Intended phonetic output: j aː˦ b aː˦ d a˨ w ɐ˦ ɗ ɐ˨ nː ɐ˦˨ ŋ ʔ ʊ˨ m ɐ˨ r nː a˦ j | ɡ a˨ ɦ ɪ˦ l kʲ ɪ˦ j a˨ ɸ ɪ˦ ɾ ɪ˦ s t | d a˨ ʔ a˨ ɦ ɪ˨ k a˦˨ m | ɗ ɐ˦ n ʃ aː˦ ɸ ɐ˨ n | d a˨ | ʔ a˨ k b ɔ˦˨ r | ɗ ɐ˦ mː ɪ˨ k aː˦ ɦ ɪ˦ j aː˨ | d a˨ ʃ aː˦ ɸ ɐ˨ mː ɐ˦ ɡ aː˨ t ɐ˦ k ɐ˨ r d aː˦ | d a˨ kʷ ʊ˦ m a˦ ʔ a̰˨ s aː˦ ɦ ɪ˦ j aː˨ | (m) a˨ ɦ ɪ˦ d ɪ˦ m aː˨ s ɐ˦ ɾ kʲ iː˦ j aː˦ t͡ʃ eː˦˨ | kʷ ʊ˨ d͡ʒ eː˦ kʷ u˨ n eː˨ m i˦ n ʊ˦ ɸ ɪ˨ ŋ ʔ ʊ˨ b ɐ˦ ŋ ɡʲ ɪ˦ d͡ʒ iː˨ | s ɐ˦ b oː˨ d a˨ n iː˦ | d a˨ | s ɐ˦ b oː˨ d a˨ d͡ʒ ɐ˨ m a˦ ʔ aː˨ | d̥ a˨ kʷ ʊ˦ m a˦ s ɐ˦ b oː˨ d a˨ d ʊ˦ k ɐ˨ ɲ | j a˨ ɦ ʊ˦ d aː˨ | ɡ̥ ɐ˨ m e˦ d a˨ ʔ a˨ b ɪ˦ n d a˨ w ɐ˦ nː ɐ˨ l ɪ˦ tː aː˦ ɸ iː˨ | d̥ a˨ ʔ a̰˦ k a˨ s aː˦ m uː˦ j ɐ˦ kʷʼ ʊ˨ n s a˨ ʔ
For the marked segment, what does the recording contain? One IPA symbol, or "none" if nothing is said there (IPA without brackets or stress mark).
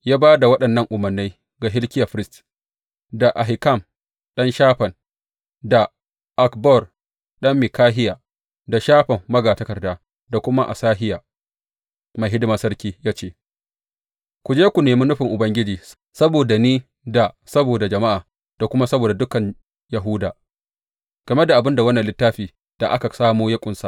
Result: m